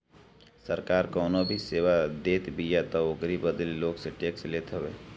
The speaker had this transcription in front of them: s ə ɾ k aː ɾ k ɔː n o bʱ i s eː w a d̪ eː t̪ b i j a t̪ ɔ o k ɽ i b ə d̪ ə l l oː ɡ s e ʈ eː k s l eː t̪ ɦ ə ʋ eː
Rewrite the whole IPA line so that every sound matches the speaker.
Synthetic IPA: s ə ɾ k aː ɾ k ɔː n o bʱ i s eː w a d̪ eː t̪ b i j a t̪ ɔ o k ɾ i b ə d̪ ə l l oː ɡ s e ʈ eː k s l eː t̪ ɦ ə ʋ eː